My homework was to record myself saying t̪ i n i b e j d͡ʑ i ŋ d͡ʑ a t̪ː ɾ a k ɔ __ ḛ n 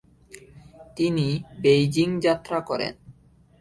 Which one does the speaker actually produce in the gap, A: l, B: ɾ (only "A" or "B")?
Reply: B